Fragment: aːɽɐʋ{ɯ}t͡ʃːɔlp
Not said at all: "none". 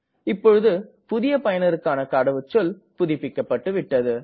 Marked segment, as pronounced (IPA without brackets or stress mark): ɯ